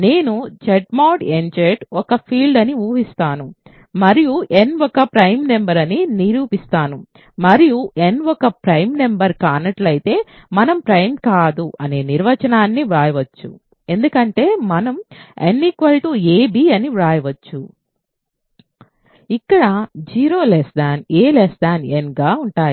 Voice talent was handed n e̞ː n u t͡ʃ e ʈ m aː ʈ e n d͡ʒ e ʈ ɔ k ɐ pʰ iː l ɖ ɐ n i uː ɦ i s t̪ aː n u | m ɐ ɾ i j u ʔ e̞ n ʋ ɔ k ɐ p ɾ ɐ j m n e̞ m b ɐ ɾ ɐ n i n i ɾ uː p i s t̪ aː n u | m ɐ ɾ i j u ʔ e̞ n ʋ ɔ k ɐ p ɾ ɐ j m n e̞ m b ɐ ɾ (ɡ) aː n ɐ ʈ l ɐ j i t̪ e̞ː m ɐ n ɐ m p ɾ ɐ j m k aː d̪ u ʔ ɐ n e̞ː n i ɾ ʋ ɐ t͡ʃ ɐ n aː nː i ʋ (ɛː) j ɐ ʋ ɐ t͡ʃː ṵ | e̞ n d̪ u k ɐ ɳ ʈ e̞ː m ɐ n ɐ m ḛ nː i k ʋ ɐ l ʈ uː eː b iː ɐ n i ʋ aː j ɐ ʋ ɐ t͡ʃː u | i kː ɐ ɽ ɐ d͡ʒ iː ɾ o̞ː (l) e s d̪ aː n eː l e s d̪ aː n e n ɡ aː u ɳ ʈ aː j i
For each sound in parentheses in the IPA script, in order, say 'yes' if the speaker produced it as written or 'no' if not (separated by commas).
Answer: no, no, yes